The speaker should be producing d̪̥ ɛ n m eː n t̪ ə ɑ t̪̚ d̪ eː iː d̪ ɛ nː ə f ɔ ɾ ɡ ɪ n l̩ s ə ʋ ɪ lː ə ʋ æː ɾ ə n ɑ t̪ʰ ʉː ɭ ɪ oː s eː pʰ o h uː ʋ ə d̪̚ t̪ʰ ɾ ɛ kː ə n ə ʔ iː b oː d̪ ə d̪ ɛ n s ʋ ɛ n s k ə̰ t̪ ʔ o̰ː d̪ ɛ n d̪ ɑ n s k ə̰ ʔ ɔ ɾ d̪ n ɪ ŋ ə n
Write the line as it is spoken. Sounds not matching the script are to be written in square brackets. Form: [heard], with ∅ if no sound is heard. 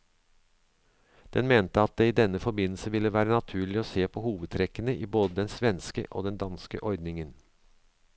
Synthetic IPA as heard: d̪̥ ɛ n m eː n t̪ ə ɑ t̪̚ d̪ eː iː d̪ ɛ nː ə f ɔ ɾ [b] ɪ n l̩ s ə ʋ ɪ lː ə ʋ æː ɾ ə n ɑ t̪ʰ ʉː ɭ ɪ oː s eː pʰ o h uː ʋ ə d̪̚ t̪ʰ ɾ ɛ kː ə n ə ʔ iː b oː d̪ ə d̪ ɛ n s ʋ ɛ n s k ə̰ [∅] ʔ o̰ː d̪ ɛ n d̪ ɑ n s k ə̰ ʔ ɔ ɾ d̪ n ɪ ŋ ə n